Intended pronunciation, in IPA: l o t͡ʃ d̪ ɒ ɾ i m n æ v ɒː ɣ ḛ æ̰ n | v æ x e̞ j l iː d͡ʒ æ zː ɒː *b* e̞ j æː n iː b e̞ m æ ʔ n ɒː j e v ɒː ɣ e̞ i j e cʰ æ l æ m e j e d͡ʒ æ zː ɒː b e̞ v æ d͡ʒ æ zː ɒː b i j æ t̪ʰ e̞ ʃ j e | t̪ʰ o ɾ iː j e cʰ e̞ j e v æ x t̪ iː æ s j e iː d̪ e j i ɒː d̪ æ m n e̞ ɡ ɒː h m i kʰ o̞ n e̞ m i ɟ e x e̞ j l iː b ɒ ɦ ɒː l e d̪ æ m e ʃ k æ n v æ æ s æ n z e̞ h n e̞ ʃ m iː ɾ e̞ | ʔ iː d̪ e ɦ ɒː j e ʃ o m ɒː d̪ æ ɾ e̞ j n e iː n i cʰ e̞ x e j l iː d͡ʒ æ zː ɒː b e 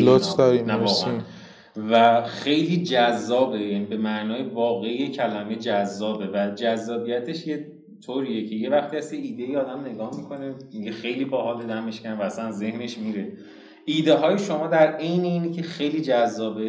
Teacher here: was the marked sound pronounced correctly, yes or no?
yes